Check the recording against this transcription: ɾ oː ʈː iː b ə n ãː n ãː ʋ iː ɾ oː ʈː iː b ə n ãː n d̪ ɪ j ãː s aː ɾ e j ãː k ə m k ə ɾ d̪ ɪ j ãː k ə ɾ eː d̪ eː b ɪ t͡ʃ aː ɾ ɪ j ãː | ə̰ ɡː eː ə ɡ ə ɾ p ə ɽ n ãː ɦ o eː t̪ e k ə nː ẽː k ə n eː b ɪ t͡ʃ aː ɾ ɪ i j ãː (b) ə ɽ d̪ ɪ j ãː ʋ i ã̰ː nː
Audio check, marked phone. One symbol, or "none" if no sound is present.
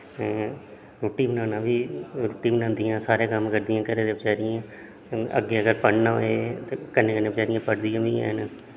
p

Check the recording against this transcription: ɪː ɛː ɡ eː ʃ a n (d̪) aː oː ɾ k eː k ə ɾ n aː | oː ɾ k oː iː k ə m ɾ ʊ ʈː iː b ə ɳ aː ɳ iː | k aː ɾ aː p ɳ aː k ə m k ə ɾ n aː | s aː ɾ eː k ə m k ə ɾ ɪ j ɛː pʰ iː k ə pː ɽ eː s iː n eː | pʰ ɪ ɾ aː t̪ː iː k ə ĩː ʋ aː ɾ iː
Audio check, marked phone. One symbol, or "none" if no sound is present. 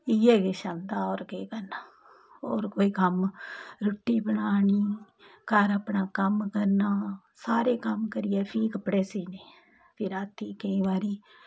d̪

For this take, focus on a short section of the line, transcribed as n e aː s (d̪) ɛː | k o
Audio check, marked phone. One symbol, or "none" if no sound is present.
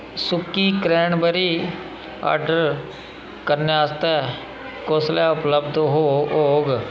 t̪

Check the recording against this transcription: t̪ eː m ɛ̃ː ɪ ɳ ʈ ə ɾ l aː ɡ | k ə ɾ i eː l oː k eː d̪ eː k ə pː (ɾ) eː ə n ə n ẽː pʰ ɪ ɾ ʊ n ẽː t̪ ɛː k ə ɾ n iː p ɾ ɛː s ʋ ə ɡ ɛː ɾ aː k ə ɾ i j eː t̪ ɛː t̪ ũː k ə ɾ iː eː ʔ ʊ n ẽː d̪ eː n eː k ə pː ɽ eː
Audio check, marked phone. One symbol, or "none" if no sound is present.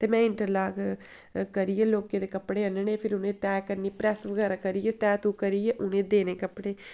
ɽ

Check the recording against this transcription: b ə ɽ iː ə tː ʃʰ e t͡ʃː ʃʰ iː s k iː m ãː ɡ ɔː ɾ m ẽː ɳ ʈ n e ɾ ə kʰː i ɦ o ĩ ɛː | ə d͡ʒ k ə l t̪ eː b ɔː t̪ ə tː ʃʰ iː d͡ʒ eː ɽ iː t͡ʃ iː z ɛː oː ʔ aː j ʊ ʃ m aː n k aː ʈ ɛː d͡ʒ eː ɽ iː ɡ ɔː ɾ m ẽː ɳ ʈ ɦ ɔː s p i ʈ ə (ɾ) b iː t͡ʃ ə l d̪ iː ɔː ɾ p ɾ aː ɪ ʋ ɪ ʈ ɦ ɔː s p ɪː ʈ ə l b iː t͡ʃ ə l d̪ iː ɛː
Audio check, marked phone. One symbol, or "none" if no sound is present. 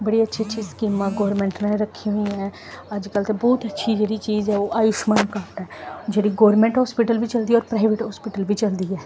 l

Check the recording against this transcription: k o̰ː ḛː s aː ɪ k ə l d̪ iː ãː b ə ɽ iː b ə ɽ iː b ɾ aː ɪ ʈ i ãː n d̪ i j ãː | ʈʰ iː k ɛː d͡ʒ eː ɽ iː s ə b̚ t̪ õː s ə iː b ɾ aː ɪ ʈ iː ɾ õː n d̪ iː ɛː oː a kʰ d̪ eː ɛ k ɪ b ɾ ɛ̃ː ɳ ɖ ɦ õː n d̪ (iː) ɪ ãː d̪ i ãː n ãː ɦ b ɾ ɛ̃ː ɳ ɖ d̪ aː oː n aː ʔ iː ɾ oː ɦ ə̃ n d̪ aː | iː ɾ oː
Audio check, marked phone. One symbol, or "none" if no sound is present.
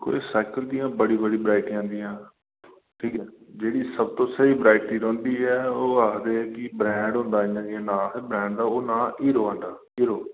aː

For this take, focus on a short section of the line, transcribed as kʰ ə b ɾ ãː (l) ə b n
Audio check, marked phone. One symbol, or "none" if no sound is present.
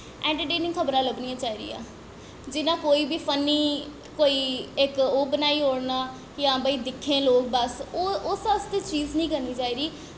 l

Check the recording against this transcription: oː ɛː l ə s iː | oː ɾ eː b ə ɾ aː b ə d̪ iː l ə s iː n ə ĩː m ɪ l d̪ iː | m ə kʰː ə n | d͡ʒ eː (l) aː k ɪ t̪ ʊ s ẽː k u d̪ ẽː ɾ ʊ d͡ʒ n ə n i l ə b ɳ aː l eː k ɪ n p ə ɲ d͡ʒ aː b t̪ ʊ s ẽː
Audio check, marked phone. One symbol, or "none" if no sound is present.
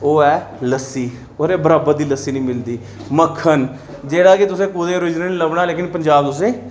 ɽ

